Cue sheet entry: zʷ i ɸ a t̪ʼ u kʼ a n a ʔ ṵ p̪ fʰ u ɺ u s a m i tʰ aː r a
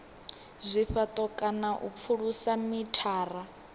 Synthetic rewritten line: zʷ i ɸ a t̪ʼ ɔ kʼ a n a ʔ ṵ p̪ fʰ u ɺ u s a m i tʰ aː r a